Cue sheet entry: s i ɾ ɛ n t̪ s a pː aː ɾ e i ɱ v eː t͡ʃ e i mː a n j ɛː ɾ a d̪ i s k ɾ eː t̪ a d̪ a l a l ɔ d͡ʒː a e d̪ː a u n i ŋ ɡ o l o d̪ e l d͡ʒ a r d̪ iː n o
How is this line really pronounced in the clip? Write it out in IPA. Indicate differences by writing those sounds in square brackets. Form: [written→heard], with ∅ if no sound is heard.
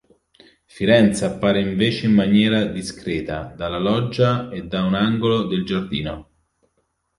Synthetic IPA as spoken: [s→f] i ɾ ɛ n t̪ s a pː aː ɾ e i ɱ v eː t͡ʃ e i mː a n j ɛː ɾ a d̪ i s k ɾ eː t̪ a d̪ a l a l ɔ d͡ʒː a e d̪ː a u n [i→a] ŋ ɡ o l o d̪ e l d͡ʒ a r d̪ iː n o

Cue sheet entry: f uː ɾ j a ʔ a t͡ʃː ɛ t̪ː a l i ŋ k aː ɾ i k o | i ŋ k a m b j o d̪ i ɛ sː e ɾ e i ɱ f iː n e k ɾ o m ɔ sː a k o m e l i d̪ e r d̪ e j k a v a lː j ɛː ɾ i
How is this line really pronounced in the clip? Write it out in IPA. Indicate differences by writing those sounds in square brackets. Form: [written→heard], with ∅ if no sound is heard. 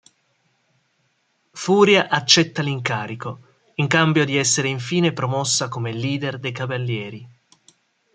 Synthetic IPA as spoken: f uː ɾ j a ʔ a t͡ʃː ɛ t̪ː a l i ŋ k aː ɾ i k o | i ŋ k a m b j o d̪ i ɛ sː e ɾ e i ɱ f iː n e [k→p] ɾ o m ɔ sː a k o m e l [i→iː] d̪ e r d̪ e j k a v a lː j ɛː ɾ i

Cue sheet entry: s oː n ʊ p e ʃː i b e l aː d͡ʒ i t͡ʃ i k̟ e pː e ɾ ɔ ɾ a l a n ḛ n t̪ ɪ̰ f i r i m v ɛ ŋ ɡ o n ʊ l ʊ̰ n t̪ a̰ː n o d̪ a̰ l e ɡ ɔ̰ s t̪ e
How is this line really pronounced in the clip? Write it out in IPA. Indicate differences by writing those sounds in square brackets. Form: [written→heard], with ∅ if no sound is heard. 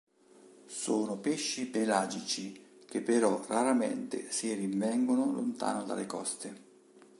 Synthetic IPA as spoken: s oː n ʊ p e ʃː i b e l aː d͡ʒ i t͡ʃ i k̟ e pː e ɾ ɔ [ɾ→r] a [l→ɾ] a [n→m] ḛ n t̪ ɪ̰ [f→s] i r i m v ɛ ŋ ɡ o n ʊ l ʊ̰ n t̪ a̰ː n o d̪ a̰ l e [ɡ→k] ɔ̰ s t̪ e

